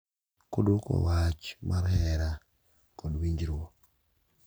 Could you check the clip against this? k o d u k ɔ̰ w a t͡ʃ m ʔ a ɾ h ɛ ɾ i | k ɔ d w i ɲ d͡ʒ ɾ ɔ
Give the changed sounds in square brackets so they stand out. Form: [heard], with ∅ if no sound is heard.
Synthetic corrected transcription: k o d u k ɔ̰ w a t͡ʃ m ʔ a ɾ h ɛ ɾ [a] | k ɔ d w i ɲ d͡ʒ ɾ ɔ